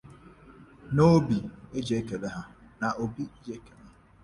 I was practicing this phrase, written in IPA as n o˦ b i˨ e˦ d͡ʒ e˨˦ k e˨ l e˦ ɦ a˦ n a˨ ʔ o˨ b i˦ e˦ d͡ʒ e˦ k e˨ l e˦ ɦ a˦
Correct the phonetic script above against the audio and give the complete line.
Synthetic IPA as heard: n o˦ b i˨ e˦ d͡ʒ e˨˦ k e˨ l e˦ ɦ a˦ n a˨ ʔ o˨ b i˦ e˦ d͡ʒ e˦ k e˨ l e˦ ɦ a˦